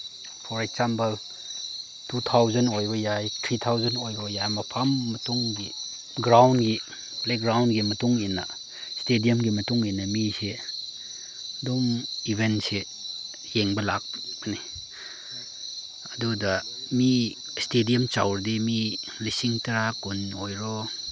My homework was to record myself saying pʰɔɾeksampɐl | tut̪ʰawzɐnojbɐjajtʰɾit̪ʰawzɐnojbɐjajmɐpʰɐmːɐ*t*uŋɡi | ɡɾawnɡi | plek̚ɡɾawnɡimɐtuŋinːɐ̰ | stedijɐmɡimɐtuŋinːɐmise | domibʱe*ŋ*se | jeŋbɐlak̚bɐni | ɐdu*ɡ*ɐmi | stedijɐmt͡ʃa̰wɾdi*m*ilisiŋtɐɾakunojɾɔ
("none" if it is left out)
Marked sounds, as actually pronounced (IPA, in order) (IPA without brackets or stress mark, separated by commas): t, n, d, m